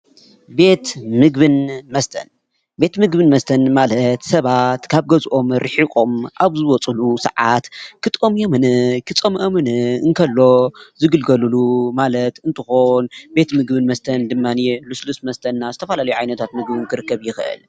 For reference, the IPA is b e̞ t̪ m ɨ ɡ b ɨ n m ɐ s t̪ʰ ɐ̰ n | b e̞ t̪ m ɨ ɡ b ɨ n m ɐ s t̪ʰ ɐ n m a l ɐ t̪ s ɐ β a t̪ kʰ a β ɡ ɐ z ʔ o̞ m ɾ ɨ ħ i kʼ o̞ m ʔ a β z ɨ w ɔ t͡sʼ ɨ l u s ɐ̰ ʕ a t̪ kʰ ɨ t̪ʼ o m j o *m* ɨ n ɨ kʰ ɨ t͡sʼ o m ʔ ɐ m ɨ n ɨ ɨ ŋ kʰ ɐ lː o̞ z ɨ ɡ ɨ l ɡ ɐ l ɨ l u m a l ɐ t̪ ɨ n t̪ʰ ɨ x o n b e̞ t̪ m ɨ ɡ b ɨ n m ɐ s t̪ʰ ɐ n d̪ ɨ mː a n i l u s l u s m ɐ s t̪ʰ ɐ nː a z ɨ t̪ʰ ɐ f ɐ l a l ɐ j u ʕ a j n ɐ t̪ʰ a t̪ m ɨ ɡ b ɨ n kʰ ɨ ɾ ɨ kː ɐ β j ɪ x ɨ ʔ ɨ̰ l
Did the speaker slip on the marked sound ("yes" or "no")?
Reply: no